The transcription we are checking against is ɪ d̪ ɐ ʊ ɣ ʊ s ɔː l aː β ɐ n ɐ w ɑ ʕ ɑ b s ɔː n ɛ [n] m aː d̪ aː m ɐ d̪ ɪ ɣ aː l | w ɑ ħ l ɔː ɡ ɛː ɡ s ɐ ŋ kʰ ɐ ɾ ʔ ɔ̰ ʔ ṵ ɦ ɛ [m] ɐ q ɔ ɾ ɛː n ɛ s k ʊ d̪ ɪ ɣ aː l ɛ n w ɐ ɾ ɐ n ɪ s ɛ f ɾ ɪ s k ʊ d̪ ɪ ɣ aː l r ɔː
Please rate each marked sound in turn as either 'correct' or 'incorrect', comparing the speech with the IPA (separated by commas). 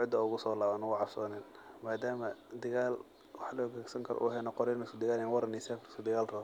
correct, incorrect